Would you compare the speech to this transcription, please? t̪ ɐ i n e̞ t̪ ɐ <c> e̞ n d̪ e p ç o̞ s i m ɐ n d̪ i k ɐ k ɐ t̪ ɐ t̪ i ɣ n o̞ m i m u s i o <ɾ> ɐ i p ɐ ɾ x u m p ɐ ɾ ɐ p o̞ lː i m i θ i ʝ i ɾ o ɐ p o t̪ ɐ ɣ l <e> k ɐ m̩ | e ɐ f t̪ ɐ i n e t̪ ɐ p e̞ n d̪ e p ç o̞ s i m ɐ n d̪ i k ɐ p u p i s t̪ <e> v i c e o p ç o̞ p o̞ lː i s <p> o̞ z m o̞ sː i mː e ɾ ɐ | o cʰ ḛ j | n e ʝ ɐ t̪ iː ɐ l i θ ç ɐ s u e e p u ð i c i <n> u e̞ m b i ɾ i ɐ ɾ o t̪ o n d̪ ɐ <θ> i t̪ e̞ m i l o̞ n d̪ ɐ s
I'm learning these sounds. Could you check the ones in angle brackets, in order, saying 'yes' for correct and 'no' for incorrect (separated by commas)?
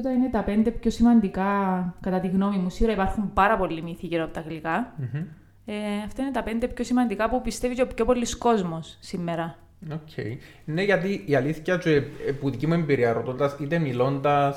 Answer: no, yes, no, yes, no, no, no